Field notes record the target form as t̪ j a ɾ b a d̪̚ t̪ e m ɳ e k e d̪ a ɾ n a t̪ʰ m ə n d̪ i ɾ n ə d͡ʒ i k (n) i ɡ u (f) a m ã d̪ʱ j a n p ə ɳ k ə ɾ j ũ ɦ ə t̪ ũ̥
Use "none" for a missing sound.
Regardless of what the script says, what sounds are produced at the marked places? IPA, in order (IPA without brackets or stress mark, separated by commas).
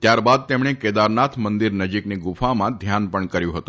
n, f